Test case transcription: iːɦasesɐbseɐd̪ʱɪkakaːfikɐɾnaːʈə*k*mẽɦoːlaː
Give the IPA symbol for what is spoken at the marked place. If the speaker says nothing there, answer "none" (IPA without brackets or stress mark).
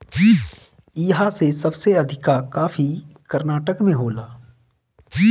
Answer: k